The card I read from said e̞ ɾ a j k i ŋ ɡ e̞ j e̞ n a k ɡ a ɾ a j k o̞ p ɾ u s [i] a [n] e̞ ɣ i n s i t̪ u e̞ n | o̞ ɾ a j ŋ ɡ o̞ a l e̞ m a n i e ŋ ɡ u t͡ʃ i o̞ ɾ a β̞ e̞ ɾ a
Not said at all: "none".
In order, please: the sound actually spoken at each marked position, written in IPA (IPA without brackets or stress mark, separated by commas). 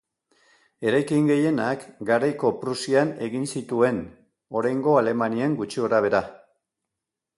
i, n